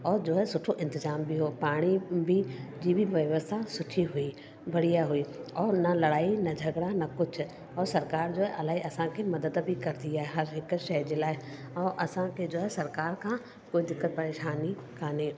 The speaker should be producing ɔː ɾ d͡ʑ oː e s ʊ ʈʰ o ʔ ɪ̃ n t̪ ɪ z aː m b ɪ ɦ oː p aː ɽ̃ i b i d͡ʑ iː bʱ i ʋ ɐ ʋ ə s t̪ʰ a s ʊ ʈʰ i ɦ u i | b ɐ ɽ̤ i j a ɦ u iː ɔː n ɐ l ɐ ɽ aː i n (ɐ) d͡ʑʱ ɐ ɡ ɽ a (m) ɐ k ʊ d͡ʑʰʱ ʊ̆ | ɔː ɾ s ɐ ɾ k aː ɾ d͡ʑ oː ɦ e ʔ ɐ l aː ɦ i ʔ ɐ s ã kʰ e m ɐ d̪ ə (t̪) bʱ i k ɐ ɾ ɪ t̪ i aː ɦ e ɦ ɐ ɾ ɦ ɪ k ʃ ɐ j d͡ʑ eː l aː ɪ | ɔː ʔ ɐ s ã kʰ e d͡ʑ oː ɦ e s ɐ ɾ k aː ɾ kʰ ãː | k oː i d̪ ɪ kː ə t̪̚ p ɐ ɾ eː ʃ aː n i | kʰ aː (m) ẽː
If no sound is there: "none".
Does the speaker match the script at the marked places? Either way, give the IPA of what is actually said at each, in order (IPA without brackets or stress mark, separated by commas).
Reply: ɐ, n, d̪, n